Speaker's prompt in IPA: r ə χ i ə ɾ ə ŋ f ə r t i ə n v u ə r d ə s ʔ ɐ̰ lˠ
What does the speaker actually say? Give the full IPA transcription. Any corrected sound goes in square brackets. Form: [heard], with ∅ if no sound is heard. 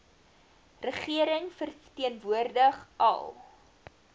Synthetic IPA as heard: r ə χ i ə ɾ ə ŋ f ə r t i ə n v u ə r d ə [χ] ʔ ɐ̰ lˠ